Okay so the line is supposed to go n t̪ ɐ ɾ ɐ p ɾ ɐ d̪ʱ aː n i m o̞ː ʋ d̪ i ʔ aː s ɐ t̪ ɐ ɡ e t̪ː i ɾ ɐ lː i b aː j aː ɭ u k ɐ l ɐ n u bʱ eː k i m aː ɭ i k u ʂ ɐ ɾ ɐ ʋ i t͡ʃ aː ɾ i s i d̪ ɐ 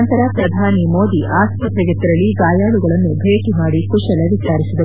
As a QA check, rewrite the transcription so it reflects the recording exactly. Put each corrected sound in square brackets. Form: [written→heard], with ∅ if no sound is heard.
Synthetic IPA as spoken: n t̪ ɐ ɾ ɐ p ɾ ɐ d̪ʱ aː n i m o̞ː [ʋ→∅] d̪ i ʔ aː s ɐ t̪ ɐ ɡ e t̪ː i ɾ ɐ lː i [b→ɡ] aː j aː ɭ u [k→ɡ] ɐ [l→ɭ] ɐ [n→nː] u bʱ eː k i m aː [ɭ→ɽ] i k u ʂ ɐ [ɾ→l] ɐ ʋ i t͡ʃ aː ɾ i s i d̪ ɐ